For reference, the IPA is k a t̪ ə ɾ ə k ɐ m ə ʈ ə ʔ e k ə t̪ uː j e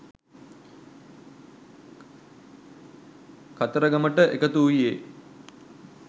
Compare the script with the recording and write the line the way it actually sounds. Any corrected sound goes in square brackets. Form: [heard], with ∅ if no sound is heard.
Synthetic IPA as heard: k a t̪ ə ɾ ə [ɡ] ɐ m ə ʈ ə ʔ e k ə t̪ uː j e